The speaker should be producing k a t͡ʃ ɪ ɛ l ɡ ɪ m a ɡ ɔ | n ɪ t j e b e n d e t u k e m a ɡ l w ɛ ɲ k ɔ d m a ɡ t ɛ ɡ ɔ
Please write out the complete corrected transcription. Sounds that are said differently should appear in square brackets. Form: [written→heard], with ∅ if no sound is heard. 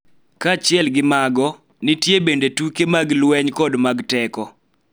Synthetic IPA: k a t͡ʃ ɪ ɛ l ɡ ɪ m a ɡ ɔ | n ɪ t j e b e n d e t u k e m a ɡ l w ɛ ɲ k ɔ d m a ɡ t ɛ [ɡ→k] ɔ